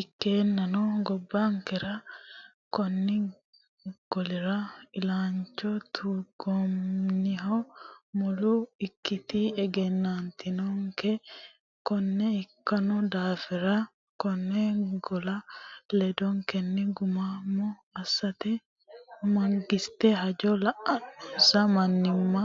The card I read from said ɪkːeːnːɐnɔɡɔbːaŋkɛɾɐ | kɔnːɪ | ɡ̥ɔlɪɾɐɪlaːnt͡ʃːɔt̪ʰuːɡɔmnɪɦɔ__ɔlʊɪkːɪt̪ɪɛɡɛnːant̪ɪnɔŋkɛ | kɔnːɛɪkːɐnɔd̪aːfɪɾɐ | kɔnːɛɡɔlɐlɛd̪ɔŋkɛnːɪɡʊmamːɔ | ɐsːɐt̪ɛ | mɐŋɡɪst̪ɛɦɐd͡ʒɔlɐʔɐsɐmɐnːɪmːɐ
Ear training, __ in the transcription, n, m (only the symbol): m